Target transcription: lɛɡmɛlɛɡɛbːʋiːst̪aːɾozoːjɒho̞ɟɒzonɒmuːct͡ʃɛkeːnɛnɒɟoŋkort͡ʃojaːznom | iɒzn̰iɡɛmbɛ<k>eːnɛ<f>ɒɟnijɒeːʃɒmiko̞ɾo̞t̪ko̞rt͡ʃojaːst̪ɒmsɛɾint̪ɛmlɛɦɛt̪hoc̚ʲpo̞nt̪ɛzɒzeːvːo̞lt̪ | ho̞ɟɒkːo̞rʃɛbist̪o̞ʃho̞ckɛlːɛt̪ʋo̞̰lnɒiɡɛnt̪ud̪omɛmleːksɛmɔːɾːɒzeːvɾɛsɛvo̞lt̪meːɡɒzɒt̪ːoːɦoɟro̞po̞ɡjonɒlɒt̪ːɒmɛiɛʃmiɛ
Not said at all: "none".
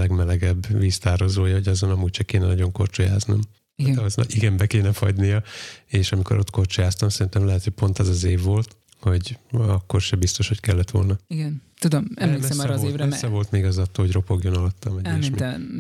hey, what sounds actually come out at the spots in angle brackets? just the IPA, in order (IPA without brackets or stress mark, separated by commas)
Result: k, f